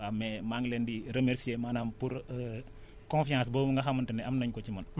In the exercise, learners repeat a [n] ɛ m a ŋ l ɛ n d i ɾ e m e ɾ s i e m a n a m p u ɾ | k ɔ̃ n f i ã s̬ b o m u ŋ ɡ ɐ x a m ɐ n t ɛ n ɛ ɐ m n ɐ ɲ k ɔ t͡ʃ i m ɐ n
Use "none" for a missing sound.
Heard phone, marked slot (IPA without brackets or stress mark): m